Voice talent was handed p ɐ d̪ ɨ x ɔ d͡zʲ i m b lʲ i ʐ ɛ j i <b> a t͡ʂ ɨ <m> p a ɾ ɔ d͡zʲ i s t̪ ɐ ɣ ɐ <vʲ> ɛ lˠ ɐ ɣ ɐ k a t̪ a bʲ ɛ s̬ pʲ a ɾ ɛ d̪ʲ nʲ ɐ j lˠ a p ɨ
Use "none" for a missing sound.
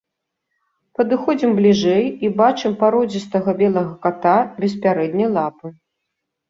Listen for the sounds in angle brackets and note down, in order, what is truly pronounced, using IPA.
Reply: b, m, bʲ

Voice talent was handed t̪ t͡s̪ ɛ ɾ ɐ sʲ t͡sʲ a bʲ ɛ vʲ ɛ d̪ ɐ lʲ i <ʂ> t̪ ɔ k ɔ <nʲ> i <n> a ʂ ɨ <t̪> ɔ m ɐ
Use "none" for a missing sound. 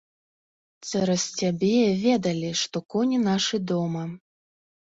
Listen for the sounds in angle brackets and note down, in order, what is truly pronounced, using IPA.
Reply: ʂ, nʲ, n, d̪

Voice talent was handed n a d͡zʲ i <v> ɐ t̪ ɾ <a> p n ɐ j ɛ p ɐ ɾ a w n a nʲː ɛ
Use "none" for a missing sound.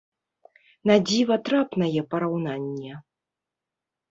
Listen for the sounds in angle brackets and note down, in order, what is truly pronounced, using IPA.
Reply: v, a

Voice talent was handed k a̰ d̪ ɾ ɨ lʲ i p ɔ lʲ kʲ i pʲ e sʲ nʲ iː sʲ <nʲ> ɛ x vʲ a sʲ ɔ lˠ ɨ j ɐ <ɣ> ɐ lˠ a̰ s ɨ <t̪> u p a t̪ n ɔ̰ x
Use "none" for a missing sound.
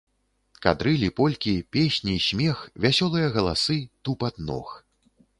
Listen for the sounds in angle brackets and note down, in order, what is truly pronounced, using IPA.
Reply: mʲ, ɣ, t̪

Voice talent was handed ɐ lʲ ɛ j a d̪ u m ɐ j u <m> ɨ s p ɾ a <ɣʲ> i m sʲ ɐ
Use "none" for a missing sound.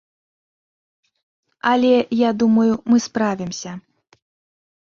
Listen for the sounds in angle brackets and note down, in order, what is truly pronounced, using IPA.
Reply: m, vʲ

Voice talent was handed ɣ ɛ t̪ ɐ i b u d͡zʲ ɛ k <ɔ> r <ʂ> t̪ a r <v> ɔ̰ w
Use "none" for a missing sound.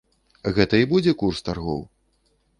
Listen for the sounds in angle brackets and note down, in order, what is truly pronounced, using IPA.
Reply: u, s, ɣ

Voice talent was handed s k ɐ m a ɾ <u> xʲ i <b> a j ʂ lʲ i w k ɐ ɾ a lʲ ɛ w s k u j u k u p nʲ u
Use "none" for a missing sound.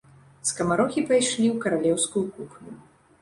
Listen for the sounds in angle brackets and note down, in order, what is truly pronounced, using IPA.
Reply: ɔ, p

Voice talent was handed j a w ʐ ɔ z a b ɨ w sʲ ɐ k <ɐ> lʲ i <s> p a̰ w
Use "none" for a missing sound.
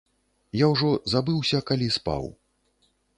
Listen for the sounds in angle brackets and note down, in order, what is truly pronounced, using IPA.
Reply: a, s

